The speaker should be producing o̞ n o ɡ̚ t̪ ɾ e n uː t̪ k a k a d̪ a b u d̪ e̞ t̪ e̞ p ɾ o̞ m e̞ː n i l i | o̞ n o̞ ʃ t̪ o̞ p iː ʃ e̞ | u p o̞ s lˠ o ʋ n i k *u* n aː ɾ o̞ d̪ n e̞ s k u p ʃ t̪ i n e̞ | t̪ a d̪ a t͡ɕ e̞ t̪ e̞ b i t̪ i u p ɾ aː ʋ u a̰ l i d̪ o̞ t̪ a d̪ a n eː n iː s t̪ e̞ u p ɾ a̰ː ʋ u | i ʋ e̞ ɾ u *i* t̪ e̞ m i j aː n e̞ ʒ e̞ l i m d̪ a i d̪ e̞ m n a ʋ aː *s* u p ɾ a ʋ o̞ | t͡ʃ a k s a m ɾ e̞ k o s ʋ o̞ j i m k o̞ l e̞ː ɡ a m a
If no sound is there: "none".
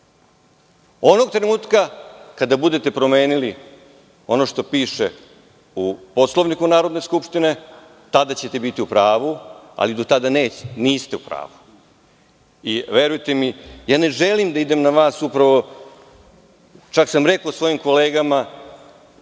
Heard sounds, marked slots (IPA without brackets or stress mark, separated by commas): u, j, s